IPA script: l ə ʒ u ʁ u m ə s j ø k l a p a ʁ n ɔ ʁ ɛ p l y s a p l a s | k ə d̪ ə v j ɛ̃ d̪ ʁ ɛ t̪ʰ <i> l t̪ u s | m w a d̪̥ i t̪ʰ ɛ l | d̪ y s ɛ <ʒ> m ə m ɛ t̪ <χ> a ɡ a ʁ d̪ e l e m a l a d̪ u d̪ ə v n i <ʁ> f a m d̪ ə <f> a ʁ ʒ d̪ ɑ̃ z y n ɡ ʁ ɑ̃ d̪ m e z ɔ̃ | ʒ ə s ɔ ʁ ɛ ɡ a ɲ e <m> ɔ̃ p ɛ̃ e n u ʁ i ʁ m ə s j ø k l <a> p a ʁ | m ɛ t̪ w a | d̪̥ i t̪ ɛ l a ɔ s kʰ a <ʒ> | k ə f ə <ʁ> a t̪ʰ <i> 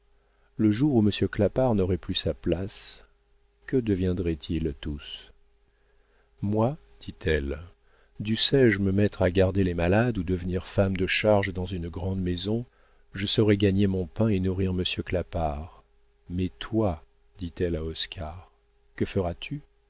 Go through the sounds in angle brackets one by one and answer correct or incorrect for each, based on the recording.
correct, correct, correct, correct, incorrect: ʃ, correct, correct, incorrect: ʁ, correct, incorrect: y

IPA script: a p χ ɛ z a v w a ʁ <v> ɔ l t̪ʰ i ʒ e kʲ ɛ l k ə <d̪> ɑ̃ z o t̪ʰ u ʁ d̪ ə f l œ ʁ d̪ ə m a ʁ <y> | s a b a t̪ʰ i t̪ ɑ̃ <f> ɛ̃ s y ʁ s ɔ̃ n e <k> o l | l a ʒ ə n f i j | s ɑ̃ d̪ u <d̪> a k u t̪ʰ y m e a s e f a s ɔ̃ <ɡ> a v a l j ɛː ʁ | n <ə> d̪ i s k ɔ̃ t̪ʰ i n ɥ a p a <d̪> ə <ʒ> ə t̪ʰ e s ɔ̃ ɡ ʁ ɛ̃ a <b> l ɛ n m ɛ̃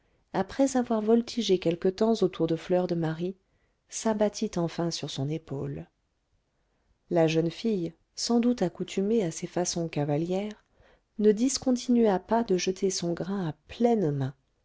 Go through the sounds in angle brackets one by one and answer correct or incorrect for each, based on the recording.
correct, incorrect: t̪, incorrect: i, correct, incorrect: p, incorrect: t̪, incorrect: k, correct, correct, correct, incorrect: p

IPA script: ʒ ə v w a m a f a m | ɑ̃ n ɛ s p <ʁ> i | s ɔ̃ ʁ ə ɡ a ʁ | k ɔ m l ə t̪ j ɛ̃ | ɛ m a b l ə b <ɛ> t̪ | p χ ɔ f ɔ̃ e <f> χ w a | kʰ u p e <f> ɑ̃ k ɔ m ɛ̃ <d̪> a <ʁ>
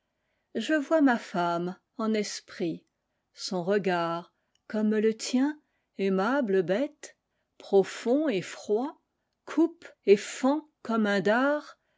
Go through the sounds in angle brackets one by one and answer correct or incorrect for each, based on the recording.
incorrect: χ, correct, correct, correct, correct, correct

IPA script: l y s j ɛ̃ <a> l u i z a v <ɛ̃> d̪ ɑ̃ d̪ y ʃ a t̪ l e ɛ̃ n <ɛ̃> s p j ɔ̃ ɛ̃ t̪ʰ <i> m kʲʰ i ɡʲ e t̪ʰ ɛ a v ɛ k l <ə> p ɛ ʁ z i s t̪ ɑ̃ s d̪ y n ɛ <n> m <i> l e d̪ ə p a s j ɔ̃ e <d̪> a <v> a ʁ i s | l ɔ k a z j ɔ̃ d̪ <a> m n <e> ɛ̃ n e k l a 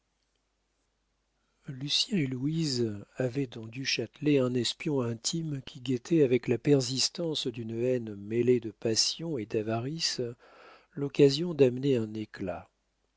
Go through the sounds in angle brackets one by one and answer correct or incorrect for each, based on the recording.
incorrect: e, incorrect: ɛ, incorrect: ɛ, correct, incorrect: a, correct, incorrect: e, correct, correct, correct, correct

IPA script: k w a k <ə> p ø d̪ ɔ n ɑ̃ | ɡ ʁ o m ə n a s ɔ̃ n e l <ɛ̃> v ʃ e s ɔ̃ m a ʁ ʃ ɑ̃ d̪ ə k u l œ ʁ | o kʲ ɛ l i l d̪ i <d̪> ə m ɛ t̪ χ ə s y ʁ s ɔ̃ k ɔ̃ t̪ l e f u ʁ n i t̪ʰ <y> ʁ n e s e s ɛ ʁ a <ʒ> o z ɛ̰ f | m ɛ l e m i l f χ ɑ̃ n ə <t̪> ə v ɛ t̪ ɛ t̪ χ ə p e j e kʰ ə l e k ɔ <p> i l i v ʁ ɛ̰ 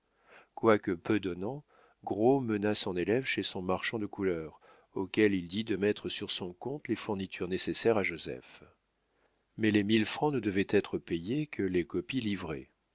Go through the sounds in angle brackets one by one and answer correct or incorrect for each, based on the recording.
correct, incorrect: ɛ, correct, correct, correct, incorrect: d̪, correct

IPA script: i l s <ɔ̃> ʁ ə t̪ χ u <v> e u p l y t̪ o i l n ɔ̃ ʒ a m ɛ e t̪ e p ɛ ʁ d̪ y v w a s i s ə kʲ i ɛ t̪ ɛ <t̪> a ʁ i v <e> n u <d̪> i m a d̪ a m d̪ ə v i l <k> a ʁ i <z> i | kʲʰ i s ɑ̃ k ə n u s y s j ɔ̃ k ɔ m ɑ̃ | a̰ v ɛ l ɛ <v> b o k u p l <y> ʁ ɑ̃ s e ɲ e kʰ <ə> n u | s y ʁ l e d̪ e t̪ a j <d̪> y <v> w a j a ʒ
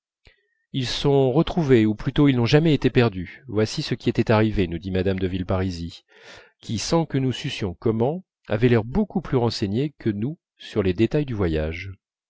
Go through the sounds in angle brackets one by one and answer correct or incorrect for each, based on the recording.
correct, correct, correct, correct, correct, incorrect: p, correct, incorrect: ʁ, correct, correct, correct, correct

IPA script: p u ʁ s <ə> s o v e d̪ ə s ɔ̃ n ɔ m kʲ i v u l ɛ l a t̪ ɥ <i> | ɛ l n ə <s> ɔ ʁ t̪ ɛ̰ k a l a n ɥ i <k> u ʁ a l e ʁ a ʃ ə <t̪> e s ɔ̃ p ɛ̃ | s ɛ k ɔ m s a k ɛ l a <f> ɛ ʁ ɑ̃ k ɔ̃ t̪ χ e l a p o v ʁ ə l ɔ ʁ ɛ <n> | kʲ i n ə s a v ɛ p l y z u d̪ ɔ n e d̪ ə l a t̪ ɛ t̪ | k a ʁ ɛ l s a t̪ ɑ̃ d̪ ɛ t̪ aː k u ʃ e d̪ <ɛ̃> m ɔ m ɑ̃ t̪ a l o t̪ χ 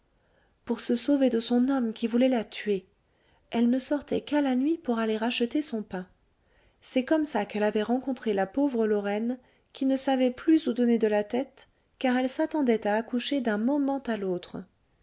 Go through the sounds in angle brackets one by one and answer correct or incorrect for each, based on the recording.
correct, incorrect: e, correct, incorrect: p, correct, incorrect: v, correct, correct

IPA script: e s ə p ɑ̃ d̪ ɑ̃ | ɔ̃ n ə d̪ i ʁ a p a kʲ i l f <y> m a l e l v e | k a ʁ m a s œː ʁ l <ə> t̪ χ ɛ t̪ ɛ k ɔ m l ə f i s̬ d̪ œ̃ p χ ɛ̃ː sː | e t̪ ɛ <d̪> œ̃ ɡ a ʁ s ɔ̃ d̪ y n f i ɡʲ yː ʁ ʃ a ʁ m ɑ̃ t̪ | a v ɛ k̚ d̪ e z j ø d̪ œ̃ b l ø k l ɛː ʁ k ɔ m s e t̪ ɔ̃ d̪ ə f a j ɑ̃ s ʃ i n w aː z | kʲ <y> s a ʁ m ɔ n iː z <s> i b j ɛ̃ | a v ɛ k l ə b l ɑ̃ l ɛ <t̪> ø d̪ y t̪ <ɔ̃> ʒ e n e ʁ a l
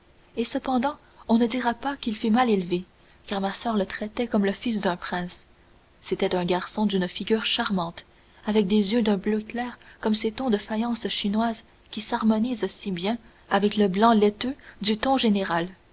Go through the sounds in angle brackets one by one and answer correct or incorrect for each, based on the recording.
correct, correct, incorrect: t̪, incorrect: i, correct, correct, correct

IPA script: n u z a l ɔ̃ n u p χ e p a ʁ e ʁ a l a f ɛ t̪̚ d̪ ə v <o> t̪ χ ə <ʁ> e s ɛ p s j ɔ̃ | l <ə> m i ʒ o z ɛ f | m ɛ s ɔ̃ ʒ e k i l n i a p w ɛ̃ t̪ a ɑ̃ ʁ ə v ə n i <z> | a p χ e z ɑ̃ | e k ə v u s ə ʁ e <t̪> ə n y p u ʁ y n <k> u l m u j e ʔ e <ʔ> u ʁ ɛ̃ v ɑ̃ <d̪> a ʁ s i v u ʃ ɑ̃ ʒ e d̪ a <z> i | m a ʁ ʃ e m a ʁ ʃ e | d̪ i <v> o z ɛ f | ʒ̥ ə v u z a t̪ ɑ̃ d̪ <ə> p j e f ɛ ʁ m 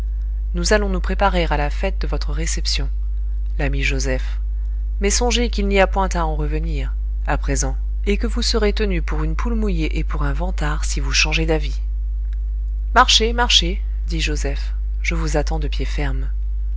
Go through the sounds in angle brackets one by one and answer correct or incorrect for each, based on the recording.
incorrect: ɔ, correct, incorrect: a, incorrect: ʁ, correct, incorrect: p, incorrect: p, incorrect: t̪, incorrect: v, incorrect: ʒ, correct

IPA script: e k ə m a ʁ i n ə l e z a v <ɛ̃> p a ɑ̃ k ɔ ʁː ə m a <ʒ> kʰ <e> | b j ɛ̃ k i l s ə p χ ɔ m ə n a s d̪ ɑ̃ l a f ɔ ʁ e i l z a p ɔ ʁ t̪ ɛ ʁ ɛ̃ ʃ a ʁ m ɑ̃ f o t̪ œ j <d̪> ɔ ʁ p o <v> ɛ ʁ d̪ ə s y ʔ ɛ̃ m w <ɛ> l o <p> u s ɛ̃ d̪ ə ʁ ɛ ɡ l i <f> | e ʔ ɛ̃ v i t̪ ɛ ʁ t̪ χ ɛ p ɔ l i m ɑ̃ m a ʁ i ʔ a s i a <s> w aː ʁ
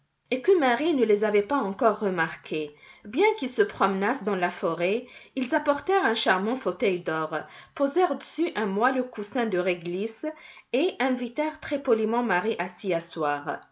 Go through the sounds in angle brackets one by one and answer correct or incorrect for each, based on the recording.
incorrect: ɛ, incorrect: ʁ, correct, correct, incorrect: z, incorrect: a, incorrect: k, incorrect: s, correct

